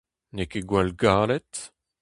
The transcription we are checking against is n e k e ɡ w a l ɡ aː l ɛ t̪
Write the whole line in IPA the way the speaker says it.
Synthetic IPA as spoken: n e k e ɡ w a l ɡ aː l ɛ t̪